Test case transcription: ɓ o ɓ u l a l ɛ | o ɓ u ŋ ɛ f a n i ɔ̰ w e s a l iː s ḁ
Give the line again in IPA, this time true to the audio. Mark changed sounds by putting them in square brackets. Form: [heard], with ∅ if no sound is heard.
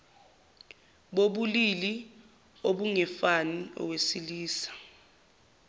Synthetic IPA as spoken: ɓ o ɓ u l [i] l [i] | o ɓ u ŋ ɛ f a n i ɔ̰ w e s [i] l iː s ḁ